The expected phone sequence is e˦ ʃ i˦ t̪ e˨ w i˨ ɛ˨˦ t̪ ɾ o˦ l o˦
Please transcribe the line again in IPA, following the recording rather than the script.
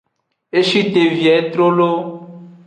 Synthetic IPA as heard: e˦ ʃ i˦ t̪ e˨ v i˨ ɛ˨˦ t̪ ɾ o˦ l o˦